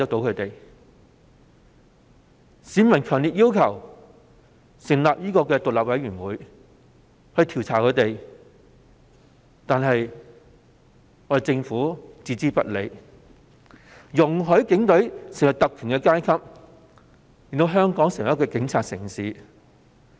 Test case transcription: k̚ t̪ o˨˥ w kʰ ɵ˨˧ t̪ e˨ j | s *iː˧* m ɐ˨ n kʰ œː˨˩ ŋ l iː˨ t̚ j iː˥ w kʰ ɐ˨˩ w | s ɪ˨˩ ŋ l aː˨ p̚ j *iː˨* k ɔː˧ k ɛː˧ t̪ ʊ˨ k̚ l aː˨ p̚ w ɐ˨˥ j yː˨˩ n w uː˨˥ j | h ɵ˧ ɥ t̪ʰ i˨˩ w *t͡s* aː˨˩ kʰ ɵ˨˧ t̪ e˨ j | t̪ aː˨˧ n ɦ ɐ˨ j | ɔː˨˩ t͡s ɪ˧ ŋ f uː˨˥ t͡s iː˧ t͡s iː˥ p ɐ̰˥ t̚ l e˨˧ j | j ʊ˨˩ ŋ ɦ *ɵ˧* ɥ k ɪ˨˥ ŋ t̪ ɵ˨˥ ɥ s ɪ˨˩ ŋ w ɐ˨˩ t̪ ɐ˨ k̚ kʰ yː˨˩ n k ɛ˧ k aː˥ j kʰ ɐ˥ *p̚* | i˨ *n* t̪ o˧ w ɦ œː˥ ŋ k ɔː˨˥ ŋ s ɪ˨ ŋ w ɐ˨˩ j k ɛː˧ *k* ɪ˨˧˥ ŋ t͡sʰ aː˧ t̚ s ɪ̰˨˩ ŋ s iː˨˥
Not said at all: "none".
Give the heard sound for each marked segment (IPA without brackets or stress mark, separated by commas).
iː˨˥, iː˥, t͡sʰ, ɵ˨˥, p̚, n, k